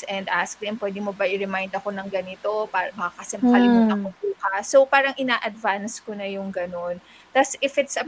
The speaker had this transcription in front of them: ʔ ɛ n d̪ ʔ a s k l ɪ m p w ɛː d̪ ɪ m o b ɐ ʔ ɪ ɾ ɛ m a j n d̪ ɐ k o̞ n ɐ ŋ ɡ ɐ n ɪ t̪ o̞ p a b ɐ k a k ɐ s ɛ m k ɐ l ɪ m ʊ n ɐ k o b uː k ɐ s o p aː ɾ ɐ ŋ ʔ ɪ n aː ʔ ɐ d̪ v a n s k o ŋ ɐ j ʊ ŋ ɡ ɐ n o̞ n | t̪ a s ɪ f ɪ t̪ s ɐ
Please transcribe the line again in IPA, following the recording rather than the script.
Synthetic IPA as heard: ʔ ɛ n d̪ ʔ a s k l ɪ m p w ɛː d̪ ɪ m o b ɐ ʔ ɪ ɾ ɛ m a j n d̪ ɐ k o̞ n ɐ ŋ ɡ ɐ n ɪ t̪ o̞ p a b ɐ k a k ɐ s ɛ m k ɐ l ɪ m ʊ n ɐ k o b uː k ɐ s o p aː ɾ ɐ ŋ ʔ ɪ n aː ʔ ɐ d̪ v a n s k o n ɐ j ʊ ŋ ɡ ɐ n o̞ n | t̪ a s ɪ f ɪ t̪ s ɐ